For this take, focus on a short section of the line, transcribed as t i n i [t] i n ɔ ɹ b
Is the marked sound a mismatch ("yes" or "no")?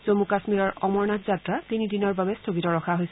yes